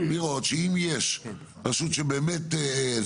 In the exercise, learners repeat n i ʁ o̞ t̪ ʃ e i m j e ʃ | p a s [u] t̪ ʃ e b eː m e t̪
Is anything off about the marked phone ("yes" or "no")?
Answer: no